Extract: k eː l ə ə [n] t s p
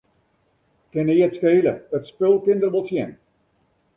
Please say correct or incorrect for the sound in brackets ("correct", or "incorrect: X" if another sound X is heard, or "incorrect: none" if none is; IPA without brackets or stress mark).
incorrect: none